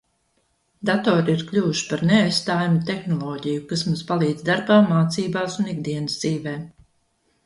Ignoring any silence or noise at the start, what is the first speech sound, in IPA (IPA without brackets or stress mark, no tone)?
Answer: d̪